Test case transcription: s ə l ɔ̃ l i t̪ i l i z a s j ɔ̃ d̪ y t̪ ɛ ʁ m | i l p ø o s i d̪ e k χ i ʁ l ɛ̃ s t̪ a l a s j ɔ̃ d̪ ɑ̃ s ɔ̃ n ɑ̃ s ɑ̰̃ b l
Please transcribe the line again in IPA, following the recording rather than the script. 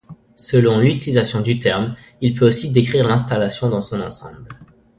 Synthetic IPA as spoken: s ə l ɔ̃ l y t̪ i l i z a s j ɔ̃ d̪ y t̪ ɛ ʁ m | i l p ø o s i d̪ e k χ i ʁ l ɛ̃ s t̪ a l a s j ɔ̃ d̪ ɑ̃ s ɔ̃ n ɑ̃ s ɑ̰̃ b l